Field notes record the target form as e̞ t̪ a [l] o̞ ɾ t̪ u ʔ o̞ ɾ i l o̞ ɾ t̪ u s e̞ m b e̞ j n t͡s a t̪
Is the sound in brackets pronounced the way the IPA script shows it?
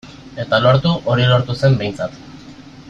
yes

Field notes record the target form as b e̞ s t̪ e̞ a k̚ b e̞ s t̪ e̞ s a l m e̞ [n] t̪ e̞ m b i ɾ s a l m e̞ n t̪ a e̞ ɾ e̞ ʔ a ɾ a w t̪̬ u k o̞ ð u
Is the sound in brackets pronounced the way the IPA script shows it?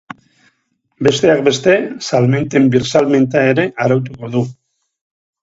yes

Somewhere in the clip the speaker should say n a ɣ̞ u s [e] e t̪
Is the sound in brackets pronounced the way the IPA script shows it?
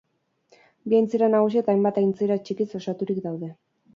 no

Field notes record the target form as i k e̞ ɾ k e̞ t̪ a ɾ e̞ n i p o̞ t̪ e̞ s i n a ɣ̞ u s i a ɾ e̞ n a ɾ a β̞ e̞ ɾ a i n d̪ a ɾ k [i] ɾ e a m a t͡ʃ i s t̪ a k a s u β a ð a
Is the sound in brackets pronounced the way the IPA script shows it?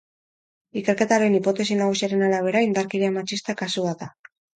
yes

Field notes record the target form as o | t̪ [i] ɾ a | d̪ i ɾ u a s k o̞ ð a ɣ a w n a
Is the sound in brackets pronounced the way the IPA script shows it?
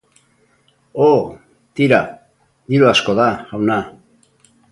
yes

